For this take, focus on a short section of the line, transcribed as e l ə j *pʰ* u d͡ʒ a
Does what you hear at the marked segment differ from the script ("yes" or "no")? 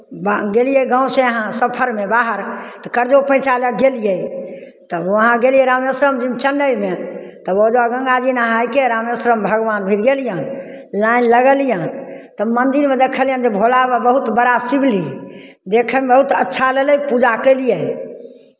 yes